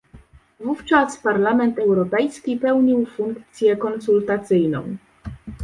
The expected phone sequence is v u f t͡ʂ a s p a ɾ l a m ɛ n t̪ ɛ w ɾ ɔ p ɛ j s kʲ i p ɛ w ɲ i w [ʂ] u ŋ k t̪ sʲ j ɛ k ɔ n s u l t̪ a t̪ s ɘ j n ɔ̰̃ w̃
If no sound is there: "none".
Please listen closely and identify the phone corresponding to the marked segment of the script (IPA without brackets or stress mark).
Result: f